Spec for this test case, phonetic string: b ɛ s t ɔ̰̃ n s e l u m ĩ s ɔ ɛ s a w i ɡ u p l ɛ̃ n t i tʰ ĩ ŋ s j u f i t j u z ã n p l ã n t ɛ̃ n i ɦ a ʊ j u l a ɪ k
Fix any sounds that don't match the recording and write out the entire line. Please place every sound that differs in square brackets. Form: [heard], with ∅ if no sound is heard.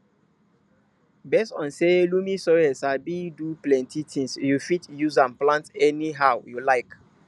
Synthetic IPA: b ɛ s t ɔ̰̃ n s e l u m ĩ s ɔ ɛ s a [b] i [d] u p l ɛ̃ n t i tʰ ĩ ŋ s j u f i t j u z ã n p l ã n t [ɛ] n i ɦ a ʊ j u l a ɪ k